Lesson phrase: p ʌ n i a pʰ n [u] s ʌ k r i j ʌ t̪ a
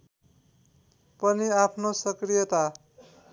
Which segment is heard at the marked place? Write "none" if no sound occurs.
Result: o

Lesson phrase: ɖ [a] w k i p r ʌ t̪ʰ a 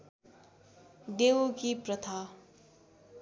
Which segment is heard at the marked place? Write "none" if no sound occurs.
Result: e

